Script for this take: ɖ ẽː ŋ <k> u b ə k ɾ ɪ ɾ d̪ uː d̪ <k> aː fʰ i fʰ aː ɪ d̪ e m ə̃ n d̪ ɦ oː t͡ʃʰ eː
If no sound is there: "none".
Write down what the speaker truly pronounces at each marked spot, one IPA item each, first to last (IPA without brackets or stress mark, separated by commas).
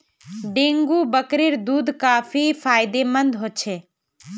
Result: ɡ, k